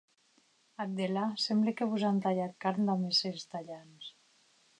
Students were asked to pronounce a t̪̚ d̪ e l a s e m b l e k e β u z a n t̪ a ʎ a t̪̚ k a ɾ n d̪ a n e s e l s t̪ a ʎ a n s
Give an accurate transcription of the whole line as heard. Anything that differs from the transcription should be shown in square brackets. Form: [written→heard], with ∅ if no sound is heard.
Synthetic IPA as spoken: a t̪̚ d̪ e l a s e m b l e k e β u z a n t̪ a ʎ a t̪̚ k a ɾ n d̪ a [n→m] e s e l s t̪ a ʎ a n s